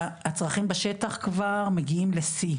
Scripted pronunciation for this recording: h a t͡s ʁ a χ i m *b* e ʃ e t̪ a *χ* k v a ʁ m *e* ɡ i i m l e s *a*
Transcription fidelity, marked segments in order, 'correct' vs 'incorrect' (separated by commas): correct, correct, correct, incorrect